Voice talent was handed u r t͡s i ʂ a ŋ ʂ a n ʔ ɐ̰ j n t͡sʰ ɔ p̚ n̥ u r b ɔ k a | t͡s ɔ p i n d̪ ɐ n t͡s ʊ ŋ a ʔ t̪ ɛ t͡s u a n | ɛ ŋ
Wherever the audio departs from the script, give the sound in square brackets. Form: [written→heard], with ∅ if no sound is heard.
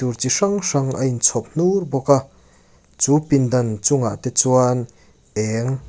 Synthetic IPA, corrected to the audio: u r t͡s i ʂ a ŋ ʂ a [n→ŋ] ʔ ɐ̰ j n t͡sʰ ɔ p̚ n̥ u r b ɔ k a | t͡s [ɔ→u] p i n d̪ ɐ n t͡s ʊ ŋ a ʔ t̪ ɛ t͡s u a n | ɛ ŋ